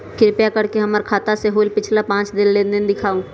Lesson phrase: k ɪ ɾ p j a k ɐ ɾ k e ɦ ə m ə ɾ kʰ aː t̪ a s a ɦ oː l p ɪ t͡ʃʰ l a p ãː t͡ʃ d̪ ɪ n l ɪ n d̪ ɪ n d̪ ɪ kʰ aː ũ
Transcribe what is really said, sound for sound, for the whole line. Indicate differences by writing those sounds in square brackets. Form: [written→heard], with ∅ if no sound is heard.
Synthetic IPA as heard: k ɪ ɾ p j a k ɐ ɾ k e ɦ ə m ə ɾ kʰ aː t̪ a s [a→e] ɦ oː l p ɪ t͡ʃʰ l a p ãː t͡ʃ d̪ ɪ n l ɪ n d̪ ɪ n d̪ ɪ kʰ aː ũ